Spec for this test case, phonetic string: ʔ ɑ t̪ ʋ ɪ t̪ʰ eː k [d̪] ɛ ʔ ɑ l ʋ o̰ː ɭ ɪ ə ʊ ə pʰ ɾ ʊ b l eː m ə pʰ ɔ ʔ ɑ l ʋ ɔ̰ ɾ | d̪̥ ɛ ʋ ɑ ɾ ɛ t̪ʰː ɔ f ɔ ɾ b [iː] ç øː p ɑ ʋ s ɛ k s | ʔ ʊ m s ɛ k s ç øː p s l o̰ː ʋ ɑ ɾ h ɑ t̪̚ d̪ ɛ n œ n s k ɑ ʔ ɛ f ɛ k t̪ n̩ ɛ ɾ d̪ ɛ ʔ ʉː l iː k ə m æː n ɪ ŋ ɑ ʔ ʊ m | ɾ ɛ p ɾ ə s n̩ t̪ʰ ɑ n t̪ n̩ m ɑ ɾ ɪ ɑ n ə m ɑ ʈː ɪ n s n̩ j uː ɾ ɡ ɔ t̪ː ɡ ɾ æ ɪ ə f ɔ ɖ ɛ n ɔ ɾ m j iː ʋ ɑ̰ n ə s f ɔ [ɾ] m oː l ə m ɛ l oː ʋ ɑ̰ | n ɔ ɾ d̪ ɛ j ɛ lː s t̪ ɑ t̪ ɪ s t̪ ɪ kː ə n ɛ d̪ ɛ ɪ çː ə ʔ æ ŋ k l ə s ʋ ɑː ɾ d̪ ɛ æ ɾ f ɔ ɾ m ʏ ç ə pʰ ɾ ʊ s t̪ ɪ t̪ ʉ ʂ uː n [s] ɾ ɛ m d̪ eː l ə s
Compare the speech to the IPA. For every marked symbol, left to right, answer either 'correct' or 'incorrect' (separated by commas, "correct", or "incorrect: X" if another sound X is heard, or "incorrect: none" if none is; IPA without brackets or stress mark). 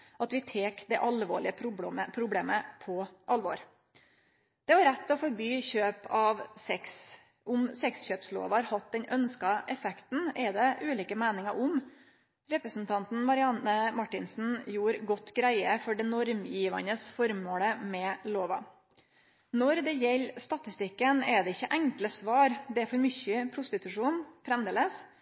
correct, incorrect: yː, correct, incorrect: f